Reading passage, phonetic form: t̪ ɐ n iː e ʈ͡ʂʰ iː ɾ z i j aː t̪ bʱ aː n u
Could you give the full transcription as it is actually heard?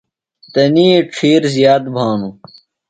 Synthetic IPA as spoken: t̪ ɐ n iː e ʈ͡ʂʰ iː ɾ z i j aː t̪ bʱ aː n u